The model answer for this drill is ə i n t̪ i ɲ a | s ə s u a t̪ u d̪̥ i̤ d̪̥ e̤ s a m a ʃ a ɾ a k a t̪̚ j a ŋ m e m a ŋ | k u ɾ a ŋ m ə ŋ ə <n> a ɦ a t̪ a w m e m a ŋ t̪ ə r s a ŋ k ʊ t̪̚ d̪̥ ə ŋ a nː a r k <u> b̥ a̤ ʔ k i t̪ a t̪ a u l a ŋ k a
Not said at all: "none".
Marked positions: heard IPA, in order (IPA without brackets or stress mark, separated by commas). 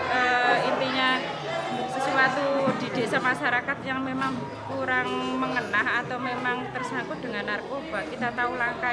n, o